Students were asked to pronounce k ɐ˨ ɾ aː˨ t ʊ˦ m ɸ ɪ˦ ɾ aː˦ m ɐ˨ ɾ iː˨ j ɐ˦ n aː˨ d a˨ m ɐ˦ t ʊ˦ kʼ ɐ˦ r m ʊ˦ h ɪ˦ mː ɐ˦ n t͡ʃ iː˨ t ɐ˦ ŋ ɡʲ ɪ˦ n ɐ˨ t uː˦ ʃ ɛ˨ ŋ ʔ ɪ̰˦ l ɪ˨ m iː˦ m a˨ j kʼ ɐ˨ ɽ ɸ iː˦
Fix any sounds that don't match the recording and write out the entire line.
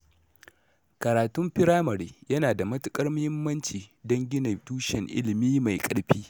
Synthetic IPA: k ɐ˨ ɾ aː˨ t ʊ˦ m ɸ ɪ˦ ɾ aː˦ m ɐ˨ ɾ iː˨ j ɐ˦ n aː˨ d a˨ m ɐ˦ t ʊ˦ kʼ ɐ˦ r m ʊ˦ h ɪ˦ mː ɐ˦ n t͡ʃ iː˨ d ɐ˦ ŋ ɡʲ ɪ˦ n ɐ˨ t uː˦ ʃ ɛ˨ ŋ ʔ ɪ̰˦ l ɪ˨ m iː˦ m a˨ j kʼ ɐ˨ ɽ ɸ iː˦